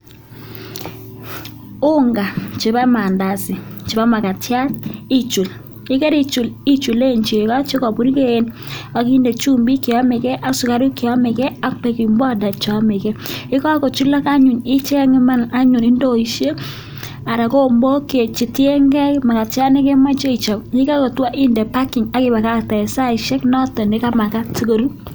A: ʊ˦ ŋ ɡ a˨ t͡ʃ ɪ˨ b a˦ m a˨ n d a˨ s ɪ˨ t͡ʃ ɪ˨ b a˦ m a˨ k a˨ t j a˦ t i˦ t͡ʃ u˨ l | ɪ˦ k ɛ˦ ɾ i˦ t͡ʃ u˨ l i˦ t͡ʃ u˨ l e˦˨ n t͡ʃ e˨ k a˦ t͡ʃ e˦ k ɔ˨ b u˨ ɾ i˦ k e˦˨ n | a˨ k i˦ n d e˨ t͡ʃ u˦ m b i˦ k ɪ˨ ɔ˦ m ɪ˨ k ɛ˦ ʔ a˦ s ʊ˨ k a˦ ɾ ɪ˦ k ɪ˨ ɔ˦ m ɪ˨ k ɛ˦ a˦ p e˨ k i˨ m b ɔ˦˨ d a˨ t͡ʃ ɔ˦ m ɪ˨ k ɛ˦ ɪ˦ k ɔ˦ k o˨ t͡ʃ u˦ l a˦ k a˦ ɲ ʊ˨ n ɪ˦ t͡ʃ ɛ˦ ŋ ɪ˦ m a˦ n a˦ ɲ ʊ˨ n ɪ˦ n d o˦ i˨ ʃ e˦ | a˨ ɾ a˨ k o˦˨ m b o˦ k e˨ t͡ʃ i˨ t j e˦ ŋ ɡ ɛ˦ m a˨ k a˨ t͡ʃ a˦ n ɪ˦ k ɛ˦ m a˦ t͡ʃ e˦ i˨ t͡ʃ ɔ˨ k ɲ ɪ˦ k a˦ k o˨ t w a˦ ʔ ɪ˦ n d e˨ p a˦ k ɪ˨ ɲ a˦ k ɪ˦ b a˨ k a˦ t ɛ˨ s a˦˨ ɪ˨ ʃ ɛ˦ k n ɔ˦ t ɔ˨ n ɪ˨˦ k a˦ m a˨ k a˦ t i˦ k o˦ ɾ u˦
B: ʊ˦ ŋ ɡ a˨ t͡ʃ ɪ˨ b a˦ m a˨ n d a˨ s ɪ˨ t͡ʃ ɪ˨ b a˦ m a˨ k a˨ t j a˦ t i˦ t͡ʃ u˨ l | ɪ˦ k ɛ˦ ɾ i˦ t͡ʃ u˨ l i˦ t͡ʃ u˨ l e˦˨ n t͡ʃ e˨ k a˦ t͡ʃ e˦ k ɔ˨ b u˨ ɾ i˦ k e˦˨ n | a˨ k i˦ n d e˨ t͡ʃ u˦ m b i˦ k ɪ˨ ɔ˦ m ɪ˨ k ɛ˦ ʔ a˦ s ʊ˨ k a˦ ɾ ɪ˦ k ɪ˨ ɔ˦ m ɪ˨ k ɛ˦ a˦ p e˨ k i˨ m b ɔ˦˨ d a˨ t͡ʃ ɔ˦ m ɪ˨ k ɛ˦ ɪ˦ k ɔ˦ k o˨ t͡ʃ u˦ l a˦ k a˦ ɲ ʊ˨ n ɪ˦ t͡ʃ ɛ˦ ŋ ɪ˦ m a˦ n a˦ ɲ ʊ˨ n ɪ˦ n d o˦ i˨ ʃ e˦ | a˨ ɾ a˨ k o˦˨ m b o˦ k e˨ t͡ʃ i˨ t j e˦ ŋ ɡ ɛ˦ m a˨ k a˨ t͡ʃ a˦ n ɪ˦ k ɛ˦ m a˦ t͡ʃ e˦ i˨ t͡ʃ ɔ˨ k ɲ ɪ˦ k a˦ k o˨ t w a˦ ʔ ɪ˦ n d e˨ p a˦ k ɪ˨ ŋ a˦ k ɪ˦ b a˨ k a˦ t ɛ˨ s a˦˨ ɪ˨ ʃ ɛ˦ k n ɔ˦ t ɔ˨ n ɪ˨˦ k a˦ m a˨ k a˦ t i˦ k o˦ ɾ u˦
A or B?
B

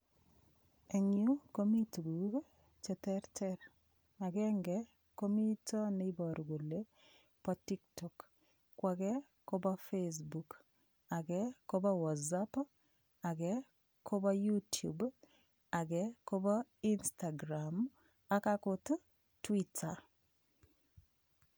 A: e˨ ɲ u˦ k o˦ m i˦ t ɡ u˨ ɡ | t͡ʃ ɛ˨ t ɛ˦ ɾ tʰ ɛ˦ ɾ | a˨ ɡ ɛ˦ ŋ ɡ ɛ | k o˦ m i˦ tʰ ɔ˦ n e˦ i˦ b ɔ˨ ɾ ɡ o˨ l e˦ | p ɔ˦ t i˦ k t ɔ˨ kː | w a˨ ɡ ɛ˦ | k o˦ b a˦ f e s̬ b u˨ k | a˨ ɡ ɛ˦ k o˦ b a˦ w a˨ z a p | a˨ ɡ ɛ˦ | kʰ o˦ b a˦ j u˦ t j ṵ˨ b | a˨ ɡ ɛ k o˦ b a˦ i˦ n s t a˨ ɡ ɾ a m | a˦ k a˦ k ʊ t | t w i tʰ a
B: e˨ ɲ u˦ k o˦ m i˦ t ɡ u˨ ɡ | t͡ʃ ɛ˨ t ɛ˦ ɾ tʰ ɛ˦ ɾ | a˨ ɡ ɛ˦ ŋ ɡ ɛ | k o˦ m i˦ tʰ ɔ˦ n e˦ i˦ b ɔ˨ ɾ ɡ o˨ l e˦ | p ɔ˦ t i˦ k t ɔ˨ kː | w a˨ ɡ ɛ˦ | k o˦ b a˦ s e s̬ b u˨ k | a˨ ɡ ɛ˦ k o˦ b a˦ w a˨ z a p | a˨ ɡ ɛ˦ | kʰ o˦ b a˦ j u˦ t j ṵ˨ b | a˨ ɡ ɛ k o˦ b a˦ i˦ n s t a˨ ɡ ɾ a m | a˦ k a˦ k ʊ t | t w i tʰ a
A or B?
A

